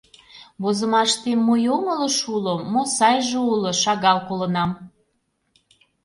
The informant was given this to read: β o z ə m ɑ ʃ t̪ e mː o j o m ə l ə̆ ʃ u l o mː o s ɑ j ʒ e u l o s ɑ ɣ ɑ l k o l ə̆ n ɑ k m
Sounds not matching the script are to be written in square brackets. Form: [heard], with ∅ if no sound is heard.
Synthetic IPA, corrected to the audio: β o z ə m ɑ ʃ t̪ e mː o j o m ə l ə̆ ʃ u l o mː o s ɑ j ʒ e u l o [ʃ] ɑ ɣ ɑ l k o l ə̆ n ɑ [∅] m